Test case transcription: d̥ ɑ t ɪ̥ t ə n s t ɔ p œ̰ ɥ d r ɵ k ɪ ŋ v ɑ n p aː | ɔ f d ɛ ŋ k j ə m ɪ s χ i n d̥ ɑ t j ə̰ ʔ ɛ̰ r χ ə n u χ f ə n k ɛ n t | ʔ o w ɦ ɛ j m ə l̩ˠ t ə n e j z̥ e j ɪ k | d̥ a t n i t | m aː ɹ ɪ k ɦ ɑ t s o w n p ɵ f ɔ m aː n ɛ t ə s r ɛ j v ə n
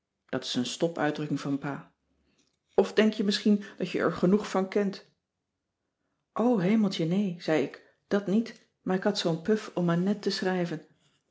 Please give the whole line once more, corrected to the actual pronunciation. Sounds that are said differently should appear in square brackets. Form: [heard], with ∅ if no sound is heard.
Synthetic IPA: d̥ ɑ t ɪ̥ [s] ə n s t ɔ p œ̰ ɥ d r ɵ k ɪ ŋ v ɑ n p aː | ɔ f d ɛ ŋ k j ə m ɪ s χ i n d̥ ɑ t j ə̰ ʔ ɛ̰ [ɹ] χ ə n u χ f [ɑ] n k ɛ n t | ʔ o w ɦ [e] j m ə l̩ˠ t ə n e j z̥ [ɛ] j ɪ k | d̥ [ɑ] t n i t | m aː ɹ ɪ k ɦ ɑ t s o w n p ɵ f ɔ m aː n ɛ t ə s r ɛ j v ə n